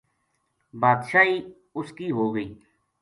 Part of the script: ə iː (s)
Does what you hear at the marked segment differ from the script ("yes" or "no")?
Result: yes